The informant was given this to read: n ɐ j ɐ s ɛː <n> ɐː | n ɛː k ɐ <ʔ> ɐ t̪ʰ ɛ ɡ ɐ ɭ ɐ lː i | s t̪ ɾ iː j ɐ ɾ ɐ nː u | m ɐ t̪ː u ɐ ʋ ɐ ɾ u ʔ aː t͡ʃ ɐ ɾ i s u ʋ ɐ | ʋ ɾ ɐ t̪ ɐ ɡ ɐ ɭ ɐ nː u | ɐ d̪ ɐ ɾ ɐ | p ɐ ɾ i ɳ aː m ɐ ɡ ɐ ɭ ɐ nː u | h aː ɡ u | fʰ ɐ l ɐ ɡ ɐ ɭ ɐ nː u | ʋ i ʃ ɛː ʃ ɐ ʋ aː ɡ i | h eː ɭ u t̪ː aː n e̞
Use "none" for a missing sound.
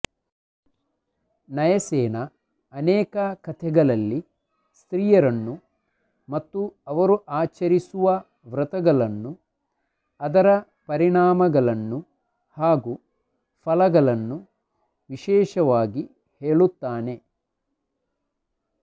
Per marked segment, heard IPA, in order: n, k

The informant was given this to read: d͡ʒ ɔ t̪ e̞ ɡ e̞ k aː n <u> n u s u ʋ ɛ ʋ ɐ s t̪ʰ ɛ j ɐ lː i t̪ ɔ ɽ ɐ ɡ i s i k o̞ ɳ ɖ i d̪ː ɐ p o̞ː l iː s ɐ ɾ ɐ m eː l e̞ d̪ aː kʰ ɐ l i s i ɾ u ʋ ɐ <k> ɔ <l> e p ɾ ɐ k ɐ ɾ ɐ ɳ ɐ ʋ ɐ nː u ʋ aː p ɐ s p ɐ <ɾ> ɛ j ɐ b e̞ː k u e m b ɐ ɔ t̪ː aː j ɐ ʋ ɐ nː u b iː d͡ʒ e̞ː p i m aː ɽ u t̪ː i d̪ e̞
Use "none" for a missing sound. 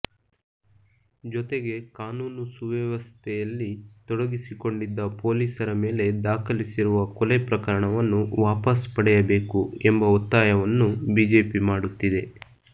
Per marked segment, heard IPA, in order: uː, k, l, ɽ

